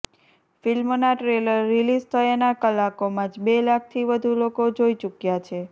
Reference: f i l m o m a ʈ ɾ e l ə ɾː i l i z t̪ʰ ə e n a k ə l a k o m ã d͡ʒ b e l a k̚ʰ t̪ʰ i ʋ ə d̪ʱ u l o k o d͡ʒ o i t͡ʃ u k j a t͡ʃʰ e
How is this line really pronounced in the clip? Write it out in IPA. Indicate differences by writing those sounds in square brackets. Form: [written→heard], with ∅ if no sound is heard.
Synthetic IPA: f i l m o [m→n] a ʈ ɾ e l ə ɾː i l i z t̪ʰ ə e n a k ə l a k o m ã d͡ʒ b e l a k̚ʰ t̪ʰ i ʋ ə d̪ʱ u l o k o d͡ʒ o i t͡ʃ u k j a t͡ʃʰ e

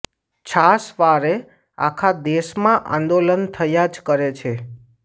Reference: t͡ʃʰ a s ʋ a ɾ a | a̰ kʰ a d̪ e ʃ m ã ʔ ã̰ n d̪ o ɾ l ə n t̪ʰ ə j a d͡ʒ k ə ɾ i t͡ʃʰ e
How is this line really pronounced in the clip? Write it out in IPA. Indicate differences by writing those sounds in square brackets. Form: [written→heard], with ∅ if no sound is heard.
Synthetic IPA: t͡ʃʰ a s ʋ a ɾ [a→e] | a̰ kʰ a d̪ e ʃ m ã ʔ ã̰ n d̪ o [ɾ→∅] l ə n t̪ʰ ə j a d͡ʒ k ə ɾ [i→e] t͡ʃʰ e

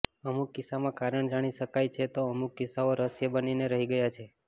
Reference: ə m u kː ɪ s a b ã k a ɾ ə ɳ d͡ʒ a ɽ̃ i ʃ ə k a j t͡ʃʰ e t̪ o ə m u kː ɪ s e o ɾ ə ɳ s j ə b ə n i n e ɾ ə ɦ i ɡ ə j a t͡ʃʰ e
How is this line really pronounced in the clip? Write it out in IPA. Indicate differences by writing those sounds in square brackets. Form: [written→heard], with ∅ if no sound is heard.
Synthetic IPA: ə m u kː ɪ s a [b→m] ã k a ɾ ə ɳ d͡ʒ a ɽ̃ i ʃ ə k a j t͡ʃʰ e t̪ o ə m u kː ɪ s [e→a] o ɾ ə [ɳ→∅] s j ə b ə n i n e ɾ ə ɦ i ɡ ə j a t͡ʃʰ e

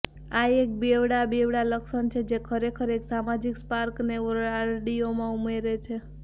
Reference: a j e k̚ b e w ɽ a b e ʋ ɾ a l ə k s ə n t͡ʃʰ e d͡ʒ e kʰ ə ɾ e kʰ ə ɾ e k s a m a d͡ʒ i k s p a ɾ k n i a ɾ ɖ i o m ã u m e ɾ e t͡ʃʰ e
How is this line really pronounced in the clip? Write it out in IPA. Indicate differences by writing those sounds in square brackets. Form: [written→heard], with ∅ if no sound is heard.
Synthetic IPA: a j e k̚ b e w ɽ a b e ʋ [ɾ→ɽ] a l ə k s ə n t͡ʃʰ e d͡ʒ e kʰ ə ɾ e kʰ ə ɾ e k s a m a d͡ʒ i k s p a ɾ k n [i→e] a ɾ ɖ i o m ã u m e ɾ e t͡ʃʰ e

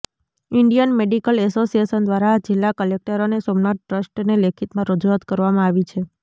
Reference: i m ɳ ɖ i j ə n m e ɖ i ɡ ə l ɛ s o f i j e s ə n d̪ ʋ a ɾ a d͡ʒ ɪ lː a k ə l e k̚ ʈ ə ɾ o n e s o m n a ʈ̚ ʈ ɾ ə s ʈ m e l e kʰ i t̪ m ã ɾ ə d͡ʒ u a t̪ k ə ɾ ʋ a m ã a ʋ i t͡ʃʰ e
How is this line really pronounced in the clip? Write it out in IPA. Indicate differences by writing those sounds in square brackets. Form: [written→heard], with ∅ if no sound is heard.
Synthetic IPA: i [m→∅] ɳ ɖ i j ə n m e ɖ i [ɡ→k] ə l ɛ s o [f→s] i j e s ə n d̪ ʋ a ɾ a d͡ʒ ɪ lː a k ə l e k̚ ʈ ə ɾ o n e s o m n a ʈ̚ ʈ ɾ ə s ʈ [m→n] e l e kʰ i t̪ m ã ɾ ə d͡ʒ u a t̪ k ə ɾ ʋ a m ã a ʋ i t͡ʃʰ e

